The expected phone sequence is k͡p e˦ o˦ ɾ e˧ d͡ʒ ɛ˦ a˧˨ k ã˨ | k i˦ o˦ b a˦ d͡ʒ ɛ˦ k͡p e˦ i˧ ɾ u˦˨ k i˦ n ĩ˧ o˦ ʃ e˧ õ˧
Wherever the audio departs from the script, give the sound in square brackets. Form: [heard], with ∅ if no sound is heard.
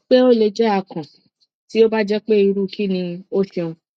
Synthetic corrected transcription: k͡p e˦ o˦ [l] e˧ d͡ʒ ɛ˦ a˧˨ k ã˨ | [t] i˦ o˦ b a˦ d͡ʒ ɛ˦ k͡p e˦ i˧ ɾ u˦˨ k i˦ n ĩ˧ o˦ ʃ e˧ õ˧